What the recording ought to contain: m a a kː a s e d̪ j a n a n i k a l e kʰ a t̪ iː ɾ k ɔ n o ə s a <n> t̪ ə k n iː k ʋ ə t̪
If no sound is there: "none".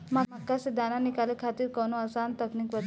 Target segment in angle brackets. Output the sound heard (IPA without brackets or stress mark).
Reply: n